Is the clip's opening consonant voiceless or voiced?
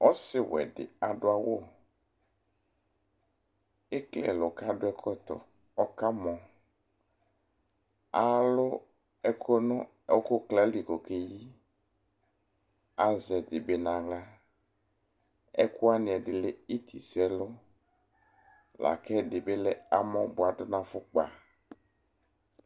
voiceless